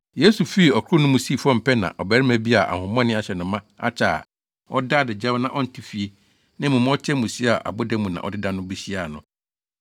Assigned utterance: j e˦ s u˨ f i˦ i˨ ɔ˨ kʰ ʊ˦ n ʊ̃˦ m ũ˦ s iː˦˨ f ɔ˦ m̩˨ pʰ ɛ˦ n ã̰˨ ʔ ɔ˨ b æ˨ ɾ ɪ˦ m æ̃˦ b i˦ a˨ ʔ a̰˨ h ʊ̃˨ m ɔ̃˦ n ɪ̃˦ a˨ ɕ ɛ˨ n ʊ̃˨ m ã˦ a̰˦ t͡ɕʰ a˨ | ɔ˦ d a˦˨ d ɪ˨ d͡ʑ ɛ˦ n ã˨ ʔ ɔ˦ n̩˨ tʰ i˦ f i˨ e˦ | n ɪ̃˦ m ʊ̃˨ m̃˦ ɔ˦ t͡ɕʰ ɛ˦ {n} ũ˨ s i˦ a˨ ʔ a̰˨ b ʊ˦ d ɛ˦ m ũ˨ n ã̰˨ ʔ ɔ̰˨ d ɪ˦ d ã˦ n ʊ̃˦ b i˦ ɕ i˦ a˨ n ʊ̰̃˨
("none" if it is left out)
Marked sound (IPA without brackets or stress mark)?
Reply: m